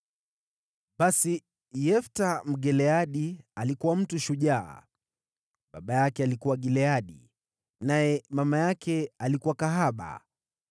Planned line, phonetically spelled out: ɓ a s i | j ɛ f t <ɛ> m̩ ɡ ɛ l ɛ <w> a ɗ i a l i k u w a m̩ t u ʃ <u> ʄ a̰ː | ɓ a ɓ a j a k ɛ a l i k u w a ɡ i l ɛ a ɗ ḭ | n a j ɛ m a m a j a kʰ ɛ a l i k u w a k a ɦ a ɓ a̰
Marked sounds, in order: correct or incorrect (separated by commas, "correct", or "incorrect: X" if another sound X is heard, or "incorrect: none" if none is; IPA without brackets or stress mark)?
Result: incorrect: a, incorrect: none, correct